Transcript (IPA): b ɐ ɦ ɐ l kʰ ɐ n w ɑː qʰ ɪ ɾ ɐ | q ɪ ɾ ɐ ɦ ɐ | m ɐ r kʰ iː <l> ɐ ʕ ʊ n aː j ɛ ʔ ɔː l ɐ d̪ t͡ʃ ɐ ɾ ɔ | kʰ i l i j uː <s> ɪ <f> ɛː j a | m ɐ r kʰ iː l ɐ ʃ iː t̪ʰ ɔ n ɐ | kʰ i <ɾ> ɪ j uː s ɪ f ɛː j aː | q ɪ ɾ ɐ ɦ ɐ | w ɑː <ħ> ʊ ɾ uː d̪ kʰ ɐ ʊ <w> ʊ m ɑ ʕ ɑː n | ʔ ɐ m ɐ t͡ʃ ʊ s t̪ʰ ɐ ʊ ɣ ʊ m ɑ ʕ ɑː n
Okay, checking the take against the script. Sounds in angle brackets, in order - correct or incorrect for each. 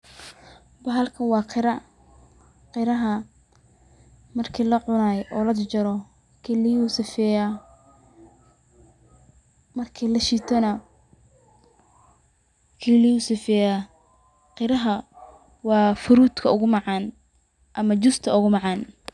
correct, correct, correct, incorrect: l, incorrect: f, incorrect: ɣ

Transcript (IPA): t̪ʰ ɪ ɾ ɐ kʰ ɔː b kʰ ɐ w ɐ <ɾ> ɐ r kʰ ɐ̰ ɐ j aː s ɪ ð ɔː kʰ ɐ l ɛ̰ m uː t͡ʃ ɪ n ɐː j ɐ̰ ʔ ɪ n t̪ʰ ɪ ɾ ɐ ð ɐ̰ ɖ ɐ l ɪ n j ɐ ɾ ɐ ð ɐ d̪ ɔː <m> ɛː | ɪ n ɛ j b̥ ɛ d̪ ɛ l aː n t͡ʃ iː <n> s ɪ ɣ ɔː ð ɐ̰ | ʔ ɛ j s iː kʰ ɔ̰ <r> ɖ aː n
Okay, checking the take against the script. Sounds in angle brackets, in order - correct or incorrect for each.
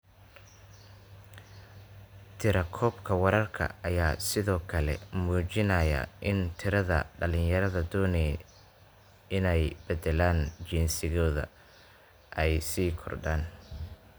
correct, incorrect: n, correct, correct

